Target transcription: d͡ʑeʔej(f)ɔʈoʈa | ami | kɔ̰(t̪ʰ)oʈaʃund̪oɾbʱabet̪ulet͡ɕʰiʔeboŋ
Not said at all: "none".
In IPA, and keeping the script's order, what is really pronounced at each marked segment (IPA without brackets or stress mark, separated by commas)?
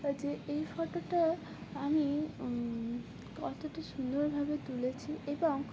f, t̪